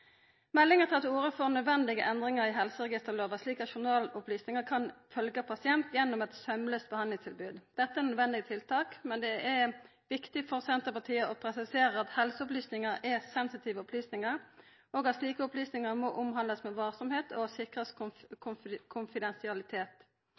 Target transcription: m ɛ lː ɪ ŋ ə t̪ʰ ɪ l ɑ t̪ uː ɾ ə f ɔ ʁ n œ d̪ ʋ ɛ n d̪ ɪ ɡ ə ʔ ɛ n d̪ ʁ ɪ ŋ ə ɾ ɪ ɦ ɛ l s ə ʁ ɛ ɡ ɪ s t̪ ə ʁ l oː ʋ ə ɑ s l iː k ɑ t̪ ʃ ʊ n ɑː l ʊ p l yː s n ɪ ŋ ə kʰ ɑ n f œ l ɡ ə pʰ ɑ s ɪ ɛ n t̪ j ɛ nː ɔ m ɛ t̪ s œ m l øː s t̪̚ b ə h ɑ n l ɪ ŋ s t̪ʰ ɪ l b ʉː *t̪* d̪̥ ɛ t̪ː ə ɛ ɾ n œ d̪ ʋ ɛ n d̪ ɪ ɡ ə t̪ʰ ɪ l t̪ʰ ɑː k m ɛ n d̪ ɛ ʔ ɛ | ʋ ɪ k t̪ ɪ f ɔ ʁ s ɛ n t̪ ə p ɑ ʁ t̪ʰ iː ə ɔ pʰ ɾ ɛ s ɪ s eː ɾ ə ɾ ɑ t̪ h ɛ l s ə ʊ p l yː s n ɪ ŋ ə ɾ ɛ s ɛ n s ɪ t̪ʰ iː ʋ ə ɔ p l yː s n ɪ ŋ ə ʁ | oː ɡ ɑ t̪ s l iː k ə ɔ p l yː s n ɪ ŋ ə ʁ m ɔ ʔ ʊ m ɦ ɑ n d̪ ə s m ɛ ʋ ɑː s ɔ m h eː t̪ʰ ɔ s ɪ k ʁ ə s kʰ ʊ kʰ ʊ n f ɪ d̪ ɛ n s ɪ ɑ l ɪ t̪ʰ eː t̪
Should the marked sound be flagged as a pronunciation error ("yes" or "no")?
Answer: yes